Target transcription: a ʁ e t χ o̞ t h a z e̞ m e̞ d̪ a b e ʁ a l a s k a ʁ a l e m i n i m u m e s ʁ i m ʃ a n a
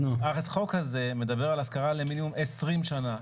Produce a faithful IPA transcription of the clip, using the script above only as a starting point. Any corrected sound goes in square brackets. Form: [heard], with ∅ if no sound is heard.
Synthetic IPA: a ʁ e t χ o̞ [k] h a z e̞ m e̞ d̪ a b e ʁ a l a s k a ʁ a l e m i n i m u m e s ʁ i m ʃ a n a